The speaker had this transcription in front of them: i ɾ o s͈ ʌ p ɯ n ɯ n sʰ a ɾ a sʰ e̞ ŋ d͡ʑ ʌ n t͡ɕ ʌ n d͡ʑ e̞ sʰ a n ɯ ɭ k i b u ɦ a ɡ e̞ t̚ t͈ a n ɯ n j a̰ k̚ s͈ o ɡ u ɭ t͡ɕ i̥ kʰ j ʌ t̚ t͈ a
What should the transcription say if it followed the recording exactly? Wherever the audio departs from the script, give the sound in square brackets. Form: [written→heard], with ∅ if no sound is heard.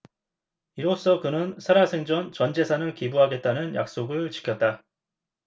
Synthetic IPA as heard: i ɾ o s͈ ʌ [p→k] ɯ n ɯ n sʰ a ɾ a sʰ e̞ ŋ d͡ʑ ʌ n t͡ɕ ʌ n d͡ʑ e̞ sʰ a n ɯ ɭ k i b u ɦ a ɡ e̞ t̚ t͈ a n ɯ n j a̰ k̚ s͈ o ɡ [u→ɯ] ɭ t͡ɕ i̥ kʰ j ʌ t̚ t͈ a